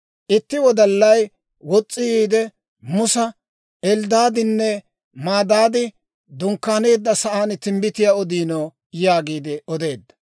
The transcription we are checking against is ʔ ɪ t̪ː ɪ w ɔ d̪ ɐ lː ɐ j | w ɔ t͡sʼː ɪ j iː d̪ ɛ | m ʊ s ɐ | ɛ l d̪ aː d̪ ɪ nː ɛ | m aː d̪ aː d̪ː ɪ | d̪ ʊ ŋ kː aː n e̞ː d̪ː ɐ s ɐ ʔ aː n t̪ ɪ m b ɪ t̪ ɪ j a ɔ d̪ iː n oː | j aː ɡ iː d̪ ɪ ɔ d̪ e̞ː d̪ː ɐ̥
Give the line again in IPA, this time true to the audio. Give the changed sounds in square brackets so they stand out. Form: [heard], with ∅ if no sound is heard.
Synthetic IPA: ʔ ɪ t̪ː ɪ w ɔ d̪ ɐ lː ɐ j | w ɔ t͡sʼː ɪ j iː d̪ ɛ | m ʊ s ɐ | ɛ l d̪ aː d̪ ɪ nː ɛ | m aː d̪ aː [d̪] ɪ | d̪ ʊ ŋ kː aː n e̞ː d̪ː ɐ s ɐ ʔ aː n t̪ ɪ m b ɪ t̪ ɪ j a ɔ d̪ iː n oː | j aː ɡ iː d̪ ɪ ɔ d̪ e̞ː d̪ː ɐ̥